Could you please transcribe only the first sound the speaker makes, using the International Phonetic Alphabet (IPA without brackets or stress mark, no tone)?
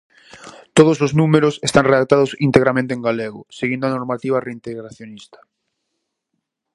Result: t̪